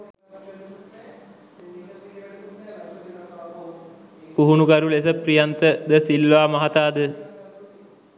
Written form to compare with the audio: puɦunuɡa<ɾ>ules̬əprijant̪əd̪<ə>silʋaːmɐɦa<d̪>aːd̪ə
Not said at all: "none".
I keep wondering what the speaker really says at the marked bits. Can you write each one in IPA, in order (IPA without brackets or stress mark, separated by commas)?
ɾ, ə, t̪